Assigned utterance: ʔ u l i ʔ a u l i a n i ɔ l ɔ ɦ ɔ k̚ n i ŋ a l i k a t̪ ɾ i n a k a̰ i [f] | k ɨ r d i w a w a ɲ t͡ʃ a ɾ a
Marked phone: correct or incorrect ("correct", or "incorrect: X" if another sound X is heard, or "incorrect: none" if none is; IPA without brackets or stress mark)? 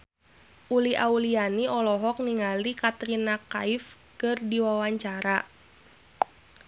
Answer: correct